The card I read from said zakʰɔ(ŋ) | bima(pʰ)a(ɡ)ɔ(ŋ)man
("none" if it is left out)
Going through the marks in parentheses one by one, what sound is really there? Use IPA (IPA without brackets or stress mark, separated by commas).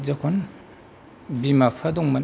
n, pʰ, d, ŋ